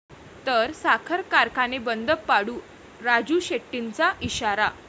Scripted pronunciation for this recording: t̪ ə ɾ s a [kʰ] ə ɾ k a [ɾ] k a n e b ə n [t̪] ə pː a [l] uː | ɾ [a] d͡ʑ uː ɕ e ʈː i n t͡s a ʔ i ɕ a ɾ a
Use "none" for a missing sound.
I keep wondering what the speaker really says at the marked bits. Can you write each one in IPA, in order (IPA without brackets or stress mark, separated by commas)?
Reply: kʰ, ɾ, d̪, ɽ, a